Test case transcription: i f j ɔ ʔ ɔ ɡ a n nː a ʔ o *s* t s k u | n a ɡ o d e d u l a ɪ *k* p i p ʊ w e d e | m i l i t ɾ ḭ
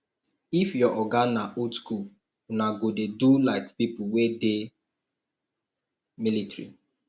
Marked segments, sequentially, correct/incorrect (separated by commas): incorrect, correct